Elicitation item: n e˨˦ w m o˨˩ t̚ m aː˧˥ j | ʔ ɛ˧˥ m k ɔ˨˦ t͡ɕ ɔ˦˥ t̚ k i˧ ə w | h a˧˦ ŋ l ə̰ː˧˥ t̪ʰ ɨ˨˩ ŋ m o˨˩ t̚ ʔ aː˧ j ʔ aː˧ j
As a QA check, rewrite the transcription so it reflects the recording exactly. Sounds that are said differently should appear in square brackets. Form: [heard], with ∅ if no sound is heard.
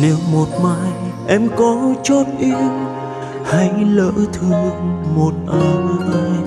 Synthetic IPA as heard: n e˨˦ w m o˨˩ t̚ m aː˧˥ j | ʔ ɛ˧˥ m k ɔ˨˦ t͡ɕ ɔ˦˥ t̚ [ʔ] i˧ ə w | h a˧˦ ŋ l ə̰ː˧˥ t̪ʰ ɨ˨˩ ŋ m o˨˩ t̚ ʔ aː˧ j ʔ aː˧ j